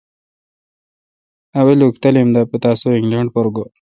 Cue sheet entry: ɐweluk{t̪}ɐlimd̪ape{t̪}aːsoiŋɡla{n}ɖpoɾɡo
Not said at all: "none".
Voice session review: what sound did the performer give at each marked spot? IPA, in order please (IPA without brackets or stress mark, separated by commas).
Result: t̪, t̪, ɳ